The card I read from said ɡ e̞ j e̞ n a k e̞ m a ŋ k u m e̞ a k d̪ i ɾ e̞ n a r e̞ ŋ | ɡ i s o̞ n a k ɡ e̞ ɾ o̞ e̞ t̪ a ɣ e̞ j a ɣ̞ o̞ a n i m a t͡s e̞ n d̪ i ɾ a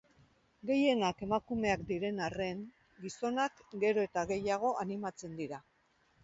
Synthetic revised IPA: ɡ e̞ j e̞ n a k e̞ m a k u m e̞ a k d̪ i ɾ e̞ n a r e̞ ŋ | ɡ i s o̞ n a k ɡ e̞ ɾ o̞ e̞ t̪ a ɣ e̞ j a ɣ̞ o̞ a n i m a t͡s e̞ n d̪ i ɾ a